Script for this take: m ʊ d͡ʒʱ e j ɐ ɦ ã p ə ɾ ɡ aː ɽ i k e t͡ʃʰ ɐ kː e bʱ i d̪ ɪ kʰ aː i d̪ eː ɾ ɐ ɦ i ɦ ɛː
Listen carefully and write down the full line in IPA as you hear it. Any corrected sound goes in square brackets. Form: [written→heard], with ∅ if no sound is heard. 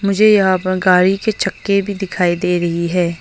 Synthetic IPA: m ʊ d͡ʒʱ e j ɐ ɦ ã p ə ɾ ɡ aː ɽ i k e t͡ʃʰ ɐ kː e bʱ i d̪ ɪ kʰ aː i d̪ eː ɾ ɐ ɦ i ɦ ɛː

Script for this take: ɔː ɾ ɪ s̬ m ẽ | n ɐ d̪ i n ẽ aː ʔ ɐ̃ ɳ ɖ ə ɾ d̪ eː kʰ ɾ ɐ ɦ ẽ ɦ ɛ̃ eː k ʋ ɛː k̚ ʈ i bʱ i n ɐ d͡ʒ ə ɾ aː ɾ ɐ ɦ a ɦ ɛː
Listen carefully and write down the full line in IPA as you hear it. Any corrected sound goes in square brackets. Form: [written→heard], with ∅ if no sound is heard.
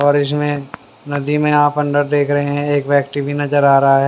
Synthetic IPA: ɔː ɾ ɪ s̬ m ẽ | n ɐ d̪ i [n→m] ẽ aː [ʔ→p] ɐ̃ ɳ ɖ ə ɾ d̪ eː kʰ ɾ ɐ ɦ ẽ ɦ ɛ̃ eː k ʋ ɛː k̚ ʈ i bʱ i n ɐ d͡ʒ ə ɾ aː ɾ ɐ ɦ a ɦ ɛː

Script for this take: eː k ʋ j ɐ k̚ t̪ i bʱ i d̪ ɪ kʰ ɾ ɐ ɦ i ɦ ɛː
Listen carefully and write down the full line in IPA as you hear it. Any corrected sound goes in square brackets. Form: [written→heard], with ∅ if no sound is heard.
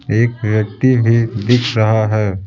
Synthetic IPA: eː k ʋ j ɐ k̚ t̪ i bʱ i d̪ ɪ kʰ ɾ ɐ ɦ [i→a] ɦ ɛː

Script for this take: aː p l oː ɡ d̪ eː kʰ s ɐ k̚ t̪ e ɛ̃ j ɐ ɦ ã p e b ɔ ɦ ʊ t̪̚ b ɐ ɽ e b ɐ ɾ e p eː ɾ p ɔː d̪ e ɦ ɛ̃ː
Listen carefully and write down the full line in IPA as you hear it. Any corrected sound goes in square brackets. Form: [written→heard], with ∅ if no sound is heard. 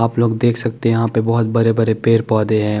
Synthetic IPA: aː p l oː ɡ d̪ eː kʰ s ɐ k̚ t̪ e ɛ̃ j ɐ ɦ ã p e b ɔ ɦ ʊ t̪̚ b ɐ [ɽ→ɾ] e b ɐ ɾ e p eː ɾ p ɔː d̪ e ɦ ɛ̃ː

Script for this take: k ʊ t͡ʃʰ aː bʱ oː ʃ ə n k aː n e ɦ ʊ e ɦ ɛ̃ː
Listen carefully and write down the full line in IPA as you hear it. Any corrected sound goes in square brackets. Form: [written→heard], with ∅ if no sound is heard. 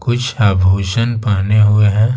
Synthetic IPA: k ʊ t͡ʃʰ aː bʱ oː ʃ ə n [k→p] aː n e ɦ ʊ e ɦ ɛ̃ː

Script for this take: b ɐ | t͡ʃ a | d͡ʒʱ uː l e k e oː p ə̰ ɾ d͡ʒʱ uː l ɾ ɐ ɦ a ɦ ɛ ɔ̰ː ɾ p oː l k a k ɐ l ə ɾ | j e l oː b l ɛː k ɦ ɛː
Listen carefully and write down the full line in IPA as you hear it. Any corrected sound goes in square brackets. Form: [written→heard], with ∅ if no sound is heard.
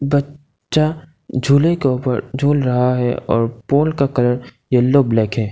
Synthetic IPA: b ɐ | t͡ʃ a | d͡ʒʱ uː l e k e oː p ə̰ ɾ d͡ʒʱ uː l ɾ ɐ ɦ a ɦ ɛ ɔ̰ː ɾ p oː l k a k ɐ l ə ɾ | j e l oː b l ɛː k ɦ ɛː

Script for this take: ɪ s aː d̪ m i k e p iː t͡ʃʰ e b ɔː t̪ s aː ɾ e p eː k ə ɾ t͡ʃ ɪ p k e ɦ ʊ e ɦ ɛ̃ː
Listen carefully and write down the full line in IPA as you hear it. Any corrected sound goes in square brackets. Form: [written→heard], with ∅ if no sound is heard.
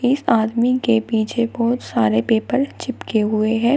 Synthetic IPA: ɪ s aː d̪ m i k e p iː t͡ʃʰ e b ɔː t̪ s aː ɾ e p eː [k→p] ə ɾ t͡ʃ ɪ p k e ɦ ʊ e ɦ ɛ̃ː

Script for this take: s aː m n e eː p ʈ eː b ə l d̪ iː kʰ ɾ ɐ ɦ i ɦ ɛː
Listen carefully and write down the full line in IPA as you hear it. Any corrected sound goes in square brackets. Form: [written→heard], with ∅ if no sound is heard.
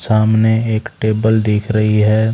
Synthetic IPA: s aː m n e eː [p→k] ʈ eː b ə l d̪ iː kʰ ɾ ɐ ɦ i ɦ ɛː

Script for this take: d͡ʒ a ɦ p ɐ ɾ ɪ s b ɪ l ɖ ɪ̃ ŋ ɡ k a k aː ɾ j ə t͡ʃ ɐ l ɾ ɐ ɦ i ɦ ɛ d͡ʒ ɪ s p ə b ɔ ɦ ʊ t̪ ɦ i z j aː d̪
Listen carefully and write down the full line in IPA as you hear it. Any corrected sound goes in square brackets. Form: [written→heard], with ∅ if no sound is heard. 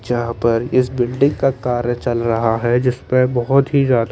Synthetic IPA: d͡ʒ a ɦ p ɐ ɾ ɪ s b ɪ l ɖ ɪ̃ ŋ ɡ k a k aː ɾ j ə t͡ʃ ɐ l ɾ ɐ ɦ [i→a] ɦ ɛ d͡ʒ ɪ s p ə b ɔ ɦ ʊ t̪ ɦ i z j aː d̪

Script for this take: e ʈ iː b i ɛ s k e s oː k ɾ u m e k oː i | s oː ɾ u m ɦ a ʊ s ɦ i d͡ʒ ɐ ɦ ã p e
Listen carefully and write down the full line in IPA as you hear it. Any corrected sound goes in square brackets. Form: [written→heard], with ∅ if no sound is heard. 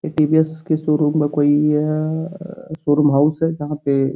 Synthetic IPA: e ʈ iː b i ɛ s k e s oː [k→∅] ɾ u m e k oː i | s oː ɾ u m ɦ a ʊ s ɦ [i→ɛ] d͡ʒ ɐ ɦ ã p e

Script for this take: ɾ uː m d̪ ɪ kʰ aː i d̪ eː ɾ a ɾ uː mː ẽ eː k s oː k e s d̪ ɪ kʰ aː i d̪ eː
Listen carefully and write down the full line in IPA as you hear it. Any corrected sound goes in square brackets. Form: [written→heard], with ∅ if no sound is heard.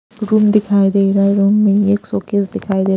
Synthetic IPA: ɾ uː m d̪ ɪ kʰ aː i d̪ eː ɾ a ɾ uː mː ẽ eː k s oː k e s d̪ ɪ kʰ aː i d̪ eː

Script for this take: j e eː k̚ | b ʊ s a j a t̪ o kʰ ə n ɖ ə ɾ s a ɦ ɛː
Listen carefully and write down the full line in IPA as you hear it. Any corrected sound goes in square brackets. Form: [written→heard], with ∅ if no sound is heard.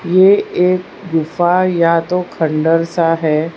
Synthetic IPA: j e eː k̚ | [b→ɡ] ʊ [s→f] a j a t̪ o kʰ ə [n→ɳ] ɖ ə ɾ s a ɦ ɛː

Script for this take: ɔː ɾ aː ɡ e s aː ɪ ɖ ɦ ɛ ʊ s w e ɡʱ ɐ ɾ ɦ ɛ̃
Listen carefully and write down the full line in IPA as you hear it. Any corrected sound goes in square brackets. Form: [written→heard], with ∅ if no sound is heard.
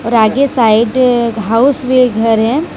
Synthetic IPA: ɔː ɾ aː ɡ e s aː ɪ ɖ ɦ [ɛ→a] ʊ s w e ɡʱ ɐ ɾ ɦ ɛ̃

